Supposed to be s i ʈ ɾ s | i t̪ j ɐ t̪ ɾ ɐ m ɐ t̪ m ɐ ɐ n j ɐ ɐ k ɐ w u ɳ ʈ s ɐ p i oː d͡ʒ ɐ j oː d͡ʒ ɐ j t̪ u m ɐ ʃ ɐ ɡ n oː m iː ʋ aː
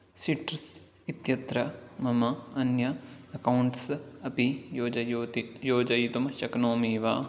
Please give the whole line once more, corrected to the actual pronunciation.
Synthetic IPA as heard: s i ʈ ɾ s | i t̪ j ɐ t̪ ɾ ɐ m ɐ m ɐ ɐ n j ɐ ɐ k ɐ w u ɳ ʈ s ɐ p i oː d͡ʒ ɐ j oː d͡ʒ ɐ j t̪ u m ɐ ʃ ɐ k n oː m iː ʋ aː